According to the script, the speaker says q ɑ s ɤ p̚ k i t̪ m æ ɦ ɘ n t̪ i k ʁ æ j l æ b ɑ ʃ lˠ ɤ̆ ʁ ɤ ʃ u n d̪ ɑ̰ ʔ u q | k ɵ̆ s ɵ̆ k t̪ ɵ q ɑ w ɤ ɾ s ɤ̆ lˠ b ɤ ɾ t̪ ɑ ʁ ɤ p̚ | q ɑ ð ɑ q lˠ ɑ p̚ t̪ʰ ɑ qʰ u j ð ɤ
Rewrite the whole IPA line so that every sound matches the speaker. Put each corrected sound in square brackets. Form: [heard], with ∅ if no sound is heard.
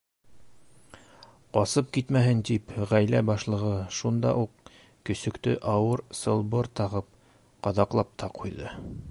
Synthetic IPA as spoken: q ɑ s ɤ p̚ k i t̪ m æ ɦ ɘ n t̪ i [p] ʁ æ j l æ b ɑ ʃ lˠ ɤ̆ ʁ ɤ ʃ u n d̪ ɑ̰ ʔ u q | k ɵ̆ s ɵ̆ k t̪ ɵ [ʔ] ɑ w ɤ ɾ s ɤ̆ lˠ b ɤ ɾ t̪ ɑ ʁ ɤ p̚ | q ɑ ð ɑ q lˠ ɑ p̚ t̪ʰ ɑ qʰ u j ð ɤ

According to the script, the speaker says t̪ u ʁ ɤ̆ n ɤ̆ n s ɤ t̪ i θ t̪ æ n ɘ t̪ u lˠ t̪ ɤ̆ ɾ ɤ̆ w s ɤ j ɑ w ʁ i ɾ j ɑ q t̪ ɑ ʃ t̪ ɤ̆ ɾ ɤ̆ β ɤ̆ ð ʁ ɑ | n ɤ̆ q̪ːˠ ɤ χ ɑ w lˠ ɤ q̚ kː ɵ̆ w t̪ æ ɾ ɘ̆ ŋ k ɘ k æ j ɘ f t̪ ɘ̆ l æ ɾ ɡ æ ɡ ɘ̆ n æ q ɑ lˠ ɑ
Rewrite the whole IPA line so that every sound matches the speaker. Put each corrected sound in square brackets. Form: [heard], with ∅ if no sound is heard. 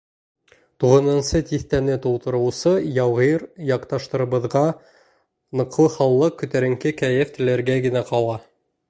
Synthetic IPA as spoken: t̪ u ʁ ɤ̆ n ɤ̆ n s ɤ t̪ i θ t̪ æ n ɘ t̪ u lˠ t̪ ɤ̆ ɾ ɤ̆ w s ɤ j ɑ w ʁ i ɾ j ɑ q t̪ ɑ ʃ t̪ ɤ̆ ɾ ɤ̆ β ɤ̆ ð ʁ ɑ | n ɤ̆ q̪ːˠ ɤ χ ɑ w lˠ ɤ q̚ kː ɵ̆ [∅] t̪ æ ɾ ɘ̆ ŋ k ɘ k æ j ɘ f t̪ ɘ̆ l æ ɾ ɡ æ ɡ ɘ̆ n æ q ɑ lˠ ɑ

